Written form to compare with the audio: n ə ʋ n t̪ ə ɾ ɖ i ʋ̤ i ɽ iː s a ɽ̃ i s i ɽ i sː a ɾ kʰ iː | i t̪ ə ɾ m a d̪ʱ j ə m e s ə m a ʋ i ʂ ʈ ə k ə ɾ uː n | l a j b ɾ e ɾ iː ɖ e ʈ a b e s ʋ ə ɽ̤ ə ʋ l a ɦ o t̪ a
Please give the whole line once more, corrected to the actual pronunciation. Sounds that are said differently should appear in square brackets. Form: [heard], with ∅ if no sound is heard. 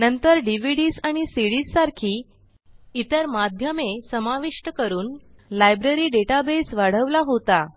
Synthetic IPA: n ə [∅] n t̪ ə ɾ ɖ i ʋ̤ i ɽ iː s a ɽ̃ i s i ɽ i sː a ɾ kʰ iː | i t̪ ə ɾ m a d̪ʱ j ə m e s ə m a ʋ i ʂ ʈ ə k ə ɾ uː n | l a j b ɾ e ɾ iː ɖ e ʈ a b e s ʋ [a] ɽ̤ ə ʋ l a ɦ o t̪ a